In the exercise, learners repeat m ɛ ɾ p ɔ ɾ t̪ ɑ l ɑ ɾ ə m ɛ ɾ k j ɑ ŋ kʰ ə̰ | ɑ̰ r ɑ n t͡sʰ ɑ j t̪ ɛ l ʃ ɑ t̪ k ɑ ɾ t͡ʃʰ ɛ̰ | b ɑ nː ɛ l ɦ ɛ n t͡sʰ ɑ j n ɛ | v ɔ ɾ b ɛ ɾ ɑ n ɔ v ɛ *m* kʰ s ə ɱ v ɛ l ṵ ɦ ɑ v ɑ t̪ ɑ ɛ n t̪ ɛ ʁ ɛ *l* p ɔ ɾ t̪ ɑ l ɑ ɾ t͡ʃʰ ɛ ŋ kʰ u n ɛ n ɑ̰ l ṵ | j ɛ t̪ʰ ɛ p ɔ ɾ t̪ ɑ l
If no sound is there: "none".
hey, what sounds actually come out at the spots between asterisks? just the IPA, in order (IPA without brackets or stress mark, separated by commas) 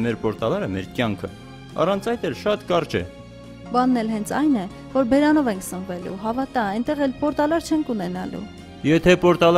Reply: ŋ, l